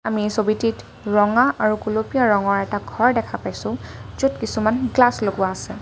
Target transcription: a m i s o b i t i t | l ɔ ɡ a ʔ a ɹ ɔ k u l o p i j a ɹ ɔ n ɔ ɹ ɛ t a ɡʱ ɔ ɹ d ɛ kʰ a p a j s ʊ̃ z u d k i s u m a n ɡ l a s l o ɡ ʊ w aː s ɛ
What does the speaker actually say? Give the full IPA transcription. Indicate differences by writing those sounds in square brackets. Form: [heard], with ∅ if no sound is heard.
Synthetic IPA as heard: a m i s o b i t i t | [ɹ] ɔ [ŋ] a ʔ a ɹ [u] k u l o p i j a ɹ ɔ [ŋ] ɔ ɹ ɛ t a ɡʱ ɔ ɹ d ɛ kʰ a p a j s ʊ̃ z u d k i s u m a n ɡ l a s l o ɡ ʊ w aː s ɛ